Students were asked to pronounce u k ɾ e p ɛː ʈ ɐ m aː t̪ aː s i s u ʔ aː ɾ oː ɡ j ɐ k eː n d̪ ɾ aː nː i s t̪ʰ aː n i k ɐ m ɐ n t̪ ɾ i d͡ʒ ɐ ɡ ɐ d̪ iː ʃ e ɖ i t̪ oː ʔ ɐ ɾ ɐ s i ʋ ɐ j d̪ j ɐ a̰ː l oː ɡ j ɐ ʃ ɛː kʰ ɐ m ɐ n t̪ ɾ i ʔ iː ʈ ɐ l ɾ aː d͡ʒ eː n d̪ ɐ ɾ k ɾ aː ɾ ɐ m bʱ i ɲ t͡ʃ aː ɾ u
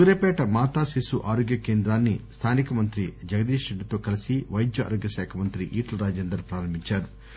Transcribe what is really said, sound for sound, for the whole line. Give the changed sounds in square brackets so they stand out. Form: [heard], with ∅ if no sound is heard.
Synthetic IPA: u [∅] ɾ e p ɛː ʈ ɐ m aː t̪ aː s i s u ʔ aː ɾ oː ɡ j ɐ k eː n d̪ ɾ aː nː i s t̪ʰ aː n i k ɐ m ɐ n t̪ ɾ i d͡ʒ ɐ ɡ ɐ d̪ iː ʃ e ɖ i t̪ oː [k] ɐ [l] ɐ s i ʋ ɐ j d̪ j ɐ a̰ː [ɾ] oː ɡ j ɐ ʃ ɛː kʰ ɐ m ɐ n t̪ ɾ i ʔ iː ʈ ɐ l ɾ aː d͡ʒ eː n d̪ ɐ ɾ [p] ɾ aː ɾ ɐ m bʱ i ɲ t͡ʃ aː ɾ u